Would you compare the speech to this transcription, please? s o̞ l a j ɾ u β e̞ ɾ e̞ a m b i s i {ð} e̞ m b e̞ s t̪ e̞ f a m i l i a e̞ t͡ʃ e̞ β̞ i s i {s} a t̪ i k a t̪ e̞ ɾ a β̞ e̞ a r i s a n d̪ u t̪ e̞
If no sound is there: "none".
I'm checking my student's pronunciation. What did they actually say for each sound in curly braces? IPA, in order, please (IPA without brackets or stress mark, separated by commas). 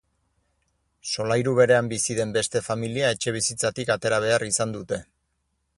ð, t͡s